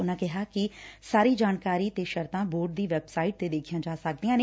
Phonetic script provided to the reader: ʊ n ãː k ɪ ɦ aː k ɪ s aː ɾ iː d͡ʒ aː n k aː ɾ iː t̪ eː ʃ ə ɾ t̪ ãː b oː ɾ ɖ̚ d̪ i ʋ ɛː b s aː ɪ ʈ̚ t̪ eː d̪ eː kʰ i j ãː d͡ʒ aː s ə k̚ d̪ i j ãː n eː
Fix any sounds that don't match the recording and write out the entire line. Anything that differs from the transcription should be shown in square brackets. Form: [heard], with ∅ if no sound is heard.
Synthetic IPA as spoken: ʊ n ãː k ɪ ɦ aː k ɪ s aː ɾ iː d͡ʒ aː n k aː ɾ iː t̪ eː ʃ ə ɾ t̪ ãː b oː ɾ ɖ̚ d̪ [iː] ʋ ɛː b s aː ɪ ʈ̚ t̪ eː d̪ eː kʰ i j ãː d͡ʒ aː s ə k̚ d̪ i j ãː n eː